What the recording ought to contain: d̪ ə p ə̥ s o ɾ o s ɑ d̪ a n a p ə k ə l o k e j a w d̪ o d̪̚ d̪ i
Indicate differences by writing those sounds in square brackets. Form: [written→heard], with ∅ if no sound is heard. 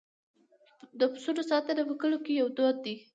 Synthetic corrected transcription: d̪ ə p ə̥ s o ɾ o s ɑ [d̪→t̪] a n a p ə k ə l o k e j a w d̪ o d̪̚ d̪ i